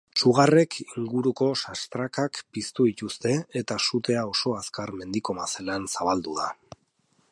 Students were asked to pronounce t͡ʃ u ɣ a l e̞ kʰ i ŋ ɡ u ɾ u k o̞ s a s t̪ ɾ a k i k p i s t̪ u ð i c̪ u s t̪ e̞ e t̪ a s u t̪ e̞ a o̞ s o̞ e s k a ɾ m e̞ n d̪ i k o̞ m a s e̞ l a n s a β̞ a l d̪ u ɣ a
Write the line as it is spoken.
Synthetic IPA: t͡ʃ u ɣ a r e̞ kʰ i ŋ ɡ u ɾ u k o̞ s a s t̪ ɾ a k a k p i s t̪ u ð i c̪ u s t̪ e̞ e t̪ a s u t̪ e̞ a o̞ s o̞ a s k a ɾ m e̞ n d̪ i k o̞ m a s e̞ l a n s a β̞ a l d̪ u ð a